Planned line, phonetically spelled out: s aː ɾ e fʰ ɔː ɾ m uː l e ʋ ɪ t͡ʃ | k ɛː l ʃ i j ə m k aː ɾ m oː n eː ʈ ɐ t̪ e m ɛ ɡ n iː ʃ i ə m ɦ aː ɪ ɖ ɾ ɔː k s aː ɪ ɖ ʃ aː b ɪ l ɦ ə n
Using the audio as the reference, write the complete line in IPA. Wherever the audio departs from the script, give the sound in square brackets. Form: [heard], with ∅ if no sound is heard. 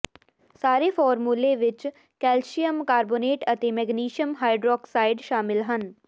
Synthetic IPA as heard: s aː ɾ e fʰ ɔː ɾ m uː l e ʋ ɪ t͡ʃ | k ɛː l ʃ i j ə m k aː ɾ [b] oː n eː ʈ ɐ t̪ e m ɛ ɡ n iː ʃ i ə m ɦ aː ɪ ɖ ɾ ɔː k s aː ɪ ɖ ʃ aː [m] ɪ l ɦ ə n